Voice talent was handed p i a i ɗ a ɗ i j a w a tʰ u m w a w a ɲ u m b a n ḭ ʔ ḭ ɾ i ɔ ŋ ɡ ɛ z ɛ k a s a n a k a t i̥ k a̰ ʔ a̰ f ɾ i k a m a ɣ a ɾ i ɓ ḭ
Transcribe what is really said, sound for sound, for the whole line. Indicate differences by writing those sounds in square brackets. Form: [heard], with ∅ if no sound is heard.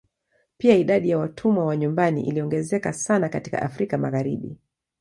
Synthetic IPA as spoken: p i a i ɗ a ɗ i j a w a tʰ u m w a w a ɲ u m b a n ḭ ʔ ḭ [l] i ɔ ŋ ɡ ɛ z ɛ k a s a n a k a t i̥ k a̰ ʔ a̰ f ɾ i k a m a ɣ a ɾ i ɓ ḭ